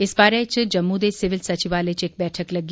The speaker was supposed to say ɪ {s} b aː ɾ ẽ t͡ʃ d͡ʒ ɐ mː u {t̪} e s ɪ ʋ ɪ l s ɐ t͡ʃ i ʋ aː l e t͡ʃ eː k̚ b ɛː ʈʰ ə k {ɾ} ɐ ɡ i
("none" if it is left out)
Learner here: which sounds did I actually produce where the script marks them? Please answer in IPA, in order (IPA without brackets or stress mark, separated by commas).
s, d̪, l